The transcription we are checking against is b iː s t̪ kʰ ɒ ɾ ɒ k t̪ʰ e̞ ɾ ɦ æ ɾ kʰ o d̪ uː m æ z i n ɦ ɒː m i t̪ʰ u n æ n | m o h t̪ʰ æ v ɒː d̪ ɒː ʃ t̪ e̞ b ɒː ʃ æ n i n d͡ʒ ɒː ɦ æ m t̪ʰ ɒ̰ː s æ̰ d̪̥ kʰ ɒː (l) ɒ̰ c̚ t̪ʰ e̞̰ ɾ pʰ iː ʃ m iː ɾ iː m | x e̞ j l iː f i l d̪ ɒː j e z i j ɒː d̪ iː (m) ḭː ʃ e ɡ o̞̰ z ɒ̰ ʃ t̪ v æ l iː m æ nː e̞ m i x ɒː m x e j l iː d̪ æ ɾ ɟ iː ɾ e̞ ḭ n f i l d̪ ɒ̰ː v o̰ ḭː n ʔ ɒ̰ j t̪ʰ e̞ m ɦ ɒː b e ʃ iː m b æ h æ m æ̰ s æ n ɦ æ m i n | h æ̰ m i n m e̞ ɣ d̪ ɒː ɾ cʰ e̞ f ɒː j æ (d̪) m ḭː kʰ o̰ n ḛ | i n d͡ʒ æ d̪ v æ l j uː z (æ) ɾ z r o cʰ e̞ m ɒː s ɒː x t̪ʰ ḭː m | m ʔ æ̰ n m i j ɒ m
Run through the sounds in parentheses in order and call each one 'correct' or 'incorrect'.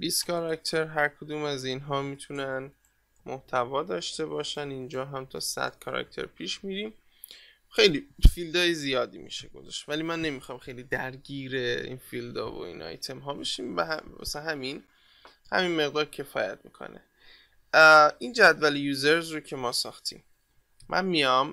incorrect: ɾ, correct, incorrect: t̪, incorrect: e

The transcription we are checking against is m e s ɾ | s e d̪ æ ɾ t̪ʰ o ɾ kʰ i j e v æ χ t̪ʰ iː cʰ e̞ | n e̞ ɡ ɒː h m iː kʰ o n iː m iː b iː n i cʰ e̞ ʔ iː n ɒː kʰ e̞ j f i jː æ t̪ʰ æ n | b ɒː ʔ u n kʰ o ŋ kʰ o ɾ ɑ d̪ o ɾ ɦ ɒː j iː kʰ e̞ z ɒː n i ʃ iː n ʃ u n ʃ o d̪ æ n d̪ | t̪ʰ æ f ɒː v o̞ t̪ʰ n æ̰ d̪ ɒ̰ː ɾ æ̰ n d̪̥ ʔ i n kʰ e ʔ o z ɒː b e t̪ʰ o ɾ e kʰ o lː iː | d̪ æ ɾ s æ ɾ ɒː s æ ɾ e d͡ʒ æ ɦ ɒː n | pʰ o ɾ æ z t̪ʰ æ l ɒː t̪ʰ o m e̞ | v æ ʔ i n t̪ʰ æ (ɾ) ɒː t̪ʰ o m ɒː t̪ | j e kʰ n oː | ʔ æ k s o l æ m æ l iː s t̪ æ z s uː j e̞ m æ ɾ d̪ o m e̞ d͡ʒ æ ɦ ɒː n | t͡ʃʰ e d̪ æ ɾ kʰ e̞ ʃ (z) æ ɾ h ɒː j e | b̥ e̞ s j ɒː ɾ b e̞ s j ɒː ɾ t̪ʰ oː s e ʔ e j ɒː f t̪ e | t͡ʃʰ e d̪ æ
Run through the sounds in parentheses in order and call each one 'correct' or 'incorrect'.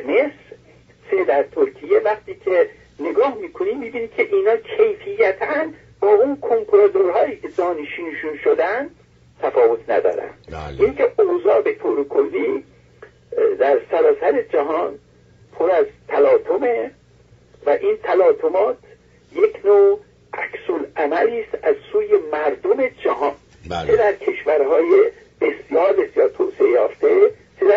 incorrect: l, incorrect: v

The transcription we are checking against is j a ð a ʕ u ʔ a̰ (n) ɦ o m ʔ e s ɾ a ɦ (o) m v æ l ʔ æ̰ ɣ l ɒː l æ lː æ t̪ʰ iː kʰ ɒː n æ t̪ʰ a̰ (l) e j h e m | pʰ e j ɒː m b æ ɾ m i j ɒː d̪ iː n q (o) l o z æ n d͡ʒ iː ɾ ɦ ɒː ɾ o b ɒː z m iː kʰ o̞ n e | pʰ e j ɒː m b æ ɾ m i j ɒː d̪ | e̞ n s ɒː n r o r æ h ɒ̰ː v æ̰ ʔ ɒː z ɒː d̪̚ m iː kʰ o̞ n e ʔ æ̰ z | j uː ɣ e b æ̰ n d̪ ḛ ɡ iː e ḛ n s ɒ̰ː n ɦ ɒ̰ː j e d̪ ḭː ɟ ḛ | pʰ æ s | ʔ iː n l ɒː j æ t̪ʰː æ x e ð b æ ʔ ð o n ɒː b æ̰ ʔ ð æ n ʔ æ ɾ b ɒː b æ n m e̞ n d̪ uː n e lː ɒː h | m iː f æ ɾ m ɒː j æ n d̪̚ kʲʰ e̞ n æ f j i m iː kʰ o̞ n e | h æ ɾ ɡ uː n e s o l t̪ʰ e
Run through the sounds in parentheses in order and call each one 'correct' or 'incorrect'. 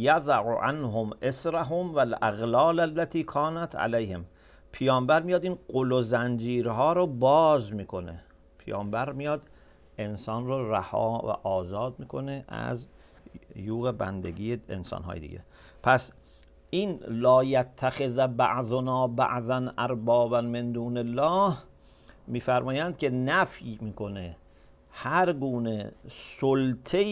correct, correct, correct, correct

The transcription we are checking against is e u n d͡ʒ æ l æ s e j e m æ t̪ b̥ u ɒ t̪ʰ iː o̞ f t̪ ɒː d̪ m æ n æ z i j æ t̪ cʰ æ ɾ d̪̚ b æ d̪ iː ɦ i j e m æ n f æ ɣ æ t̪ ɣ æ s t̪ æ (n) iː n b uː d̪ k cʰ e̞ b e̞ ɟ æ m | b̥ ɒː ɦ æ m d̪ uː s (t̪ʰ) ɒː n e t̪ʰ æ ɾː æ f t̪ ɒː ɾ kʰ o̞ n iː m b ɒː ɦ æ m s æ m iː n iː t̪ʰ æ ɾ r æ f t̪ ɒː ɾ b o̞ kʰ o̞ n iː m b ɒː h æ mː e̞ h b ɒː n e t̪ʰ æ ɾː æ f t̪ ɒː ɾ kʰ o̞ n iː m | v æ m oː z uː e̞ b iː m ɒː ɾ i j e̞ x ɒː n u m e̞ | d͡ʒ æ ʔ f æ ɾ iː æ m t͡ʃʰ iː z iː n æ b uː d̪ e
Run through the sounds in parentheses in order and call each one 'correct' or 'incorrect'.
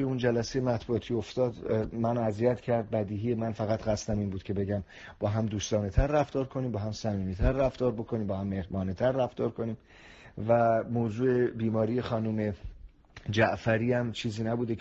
incorrect: m, incorrect: t̪

